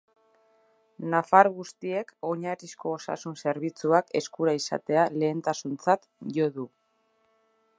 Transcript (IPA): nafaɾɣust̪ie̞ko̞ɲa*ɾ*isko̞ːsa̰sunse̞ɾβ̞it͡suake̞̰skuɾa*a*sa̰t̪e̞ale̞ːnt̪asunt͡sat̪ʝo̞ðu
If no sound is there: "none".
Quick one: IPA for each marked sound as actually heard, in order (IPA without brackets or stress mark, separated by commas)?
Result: ɾ, i